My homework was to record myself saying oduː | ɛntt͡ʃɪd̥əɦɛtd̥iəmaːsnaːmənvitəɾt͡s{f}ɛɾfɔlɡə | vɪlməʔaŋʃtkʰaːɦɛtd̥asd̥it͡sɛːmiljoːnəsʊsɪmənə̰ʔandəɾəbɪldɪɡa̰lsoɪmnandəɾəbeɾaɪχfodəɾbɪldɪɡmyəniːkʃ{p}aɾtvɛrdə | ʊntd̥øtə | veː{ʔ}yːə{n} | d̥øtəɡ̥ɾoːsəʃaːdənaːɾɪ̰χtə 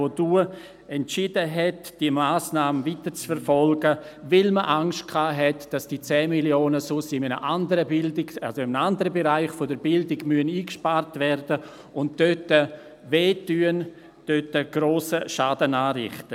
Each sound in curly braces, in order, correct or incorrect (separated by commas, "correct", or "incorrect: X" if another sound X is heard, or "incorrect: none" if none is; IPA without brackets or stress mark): correct, correct, incorrect: t, correct